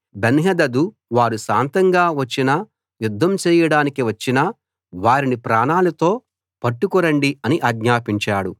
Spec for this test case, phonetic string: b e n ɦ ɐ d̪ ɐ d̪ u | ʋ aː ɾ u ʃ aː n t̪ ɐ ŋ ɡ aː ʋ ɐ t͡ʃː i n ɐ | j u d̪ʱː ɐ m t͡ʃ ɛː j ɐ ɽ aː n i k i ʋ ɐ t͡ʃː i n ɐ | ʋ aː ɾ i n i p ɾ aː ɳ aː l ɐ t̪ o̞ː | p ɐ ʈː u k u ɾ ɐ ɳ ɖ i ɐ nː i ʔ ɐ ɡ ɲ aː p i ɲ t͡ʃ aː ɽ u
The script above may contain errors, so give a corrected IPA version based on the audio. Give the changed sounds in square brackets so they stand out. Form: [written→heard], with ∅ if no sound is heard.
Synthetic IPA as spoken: b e n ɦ ɐ d̪ ɐ d̪ u | ʋ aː ɾ u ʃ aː n t̪ ɐ ŋ ɡ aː ʋ ɐ t͡ʃː i n ɐ | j u d̪ʱː ɐ m t͡ʃ ɛː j ɐ ɽ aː n i k i ʋ ɐ t͡ʃː i n ɐ | ʋ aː ɾ i n i p ɾ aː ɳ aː l ɐ t̪ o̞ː | p ɐ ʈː u k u ɾ ɐ ɳ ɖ i ɐ [nː→n] i ʔ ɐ ɡ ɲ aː p i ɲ t͡ʃ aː ɽ u